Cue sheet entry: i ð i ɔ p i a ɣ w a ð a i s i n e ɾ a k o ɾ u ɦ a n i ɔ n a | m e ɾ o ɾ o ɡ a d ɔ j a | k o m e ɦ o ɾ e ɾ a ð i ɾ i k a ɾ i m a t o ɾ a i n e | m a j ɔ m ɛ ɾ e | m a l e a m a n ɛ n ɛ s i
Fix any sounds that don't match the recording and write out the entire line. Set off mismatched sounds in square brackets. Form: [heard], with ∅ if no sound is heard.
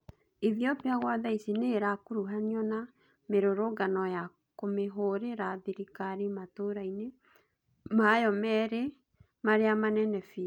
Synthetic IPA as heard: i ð i ɔ p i a ɣ w a ð a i s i n e ɾ a k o ɾ u ɦ a n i ɔ n a | m e ɾ o ɾ o ɡ a [n] ɔ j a | k o m e ɦ o ɾ e ɾ a ð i ɾ i k a ɾ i m a t o ɾ a i n e | m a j ɔ m ɛ ɾ e | m a [ɾ] e a m a n ɛ n ɛ [f] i